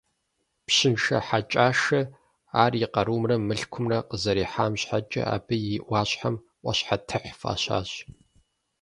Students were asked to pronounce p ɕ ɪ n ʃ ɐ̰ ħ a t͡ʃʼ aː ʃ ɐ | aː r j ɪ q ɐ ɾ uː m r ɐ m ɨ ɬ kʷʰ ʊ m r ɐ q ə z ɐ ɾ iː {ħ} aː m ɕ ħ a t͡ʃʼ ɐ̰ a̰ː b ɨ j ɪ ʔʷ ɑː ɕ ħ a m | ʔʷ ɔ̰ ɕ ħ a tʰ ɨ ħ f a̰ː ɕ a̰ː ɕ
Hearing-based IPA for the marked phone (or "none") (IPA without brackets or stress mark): ħ